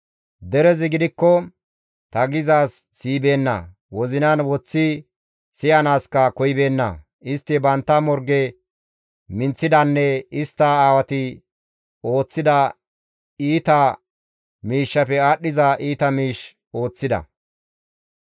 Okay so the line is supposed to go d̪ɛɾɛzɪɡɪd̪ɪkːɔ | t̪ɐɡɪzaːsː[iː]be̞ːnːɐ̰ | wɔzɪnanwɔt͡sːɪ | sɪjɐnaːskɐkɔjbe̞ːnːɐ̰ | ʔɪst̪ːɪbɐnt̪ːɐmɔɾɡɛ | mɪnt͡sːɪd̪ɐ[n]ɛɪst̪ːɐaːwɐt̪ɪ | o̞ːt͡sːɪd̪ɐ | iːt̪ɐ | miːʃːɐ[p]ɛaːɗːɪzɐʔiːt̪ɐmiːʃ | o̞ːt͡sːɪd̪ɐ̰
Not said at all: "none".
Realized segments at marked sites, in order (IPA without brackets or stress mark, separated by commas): iː, nː, p